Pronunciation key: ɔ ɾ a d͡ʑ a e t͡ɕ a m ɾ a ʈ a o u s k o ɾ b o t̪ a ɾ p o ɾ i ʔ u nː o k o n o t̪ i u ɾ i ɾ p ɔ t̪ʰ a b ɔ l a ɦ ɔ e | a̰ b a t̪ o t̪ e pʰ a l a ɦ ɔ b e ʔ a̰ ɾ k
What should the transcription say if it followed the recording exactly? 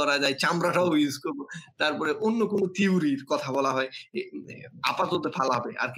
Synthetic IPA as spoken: ɔ ɾ a d͡ʑ a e t͡ɕ a m ɾ a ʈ a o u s k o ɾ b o t̪ a ɾ p ɔ ɾ e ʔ o nː o k o n o t̪ i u ɾ i ɾ k ɔ t̪ʰ a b ɔ l a ɦ ɔ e | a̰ p a t̪ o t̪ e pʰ a l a ɦ ɔ b e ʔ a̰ ɾ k